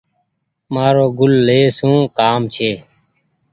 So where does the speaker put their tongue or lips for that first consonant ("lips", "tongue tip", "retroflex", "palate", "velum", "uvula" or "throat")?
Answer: lips